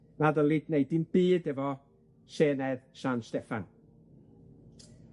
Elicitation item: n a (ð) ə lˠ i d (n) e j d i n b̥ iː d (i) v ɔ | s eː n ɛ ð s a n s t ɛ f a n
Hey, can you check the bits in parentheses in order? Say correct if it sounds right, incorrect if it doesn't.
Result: correct, correct, incorrect: ɛ

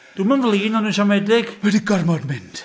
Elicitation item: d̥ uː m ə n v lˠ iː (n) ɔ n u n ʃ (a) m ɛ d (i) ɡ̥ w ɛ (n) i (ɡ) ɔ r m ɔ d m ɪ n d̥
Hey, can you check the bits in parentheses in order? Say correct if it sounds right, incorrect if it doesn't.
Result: correct, correct, incorrect: ɪ, incorrect: d, correct

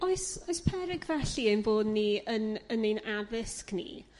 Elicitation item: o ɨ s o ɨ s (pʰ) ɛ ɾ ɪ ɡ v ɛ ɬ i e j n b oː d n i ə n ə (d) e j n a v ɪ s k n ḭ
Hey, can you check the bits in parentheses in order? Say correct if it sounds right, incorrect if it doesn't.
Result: correct, incorrect: n

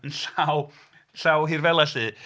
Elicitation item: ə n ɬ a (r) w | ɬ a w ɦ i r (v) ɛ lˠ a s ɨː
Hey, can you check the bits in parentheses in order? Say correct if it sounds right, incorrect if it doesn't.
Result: incorrect: none, correct

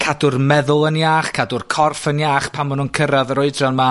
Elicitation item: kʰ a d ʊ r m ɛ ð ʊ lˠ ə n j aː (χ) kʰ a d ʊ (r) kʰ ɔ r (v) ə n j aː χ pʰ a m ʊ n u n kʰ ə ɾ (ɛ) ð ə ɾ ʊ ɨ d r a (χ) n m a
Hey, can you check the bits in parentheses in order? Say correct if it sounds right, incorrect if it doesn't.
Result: correct, correct, incorrect: f, incorrect: a, incorrect: none

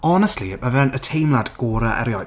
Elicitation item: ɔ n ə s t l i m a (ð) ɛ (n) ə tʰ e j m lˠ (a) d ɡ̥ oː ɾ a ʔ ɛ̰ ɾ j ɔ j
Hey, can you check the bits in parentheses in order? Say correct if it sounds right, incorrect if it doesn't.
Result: incorrect: v, correct, correct

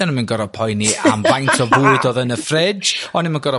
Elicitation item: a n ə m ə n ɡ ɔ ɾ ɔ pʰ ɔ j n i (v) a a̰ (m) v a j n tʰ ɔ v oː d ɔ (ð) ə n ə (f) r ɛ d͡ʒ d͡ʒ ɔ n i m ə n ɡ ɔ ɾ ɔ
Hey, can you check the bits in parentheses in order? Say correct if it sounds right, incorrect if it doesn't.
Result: incorrect: none, correct, correct, correct

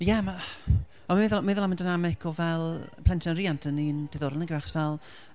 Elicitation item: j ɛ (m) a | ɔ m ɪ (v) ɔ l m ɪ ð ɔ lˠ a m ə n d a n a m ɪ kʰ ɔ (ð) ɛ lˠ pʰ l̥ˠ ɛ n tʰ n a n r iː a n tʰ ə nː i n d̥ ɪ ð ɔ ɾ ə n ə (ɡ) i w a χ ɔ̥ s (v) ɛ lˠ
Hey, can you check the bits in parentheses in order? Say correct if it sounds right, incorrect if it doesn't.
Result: correct, incorrect: ð, incorrect: v, correct, correct

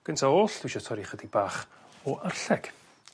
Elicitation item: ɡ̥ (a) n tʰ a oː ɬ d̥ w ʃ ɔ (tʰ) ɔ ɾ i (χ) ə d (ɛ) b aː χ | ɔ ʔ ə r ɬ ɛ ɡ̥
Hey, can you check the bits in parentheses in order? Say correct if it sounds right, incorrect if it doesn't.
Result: incorrect: ə, correct, correct, incorrect: i

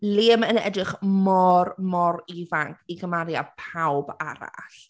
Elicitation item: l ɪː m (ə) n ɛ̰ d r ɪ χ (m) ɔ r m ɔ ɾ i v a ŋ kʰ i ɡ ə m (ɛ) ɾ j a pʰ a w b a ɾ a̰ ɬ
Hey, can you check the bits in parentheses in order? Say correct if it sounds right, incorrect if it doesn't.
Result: correct, correct, incorrect: a

